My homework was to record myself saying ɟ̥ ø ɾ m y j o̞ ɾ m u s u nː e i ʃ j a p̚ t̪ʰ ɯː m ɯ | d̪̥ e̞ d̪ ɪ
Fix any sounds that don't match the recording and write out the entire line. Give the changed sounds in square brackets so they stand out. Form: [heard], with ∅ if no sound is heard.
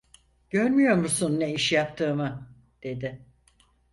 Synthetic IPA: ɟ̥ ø ɾ m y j o̞ ɾ m u s u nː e i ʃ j a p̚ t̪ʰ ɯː m ɯ | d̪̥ e̞ d̪ ɪ